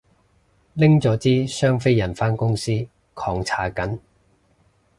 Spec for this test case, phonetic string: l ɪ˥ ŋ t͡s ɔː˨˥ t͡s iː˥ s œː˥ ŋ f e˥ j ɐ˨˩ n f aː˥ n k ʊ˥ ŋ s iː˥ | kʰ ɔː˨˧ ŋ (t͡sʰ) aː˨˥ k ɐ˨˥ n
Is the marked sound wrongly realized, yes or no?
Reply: no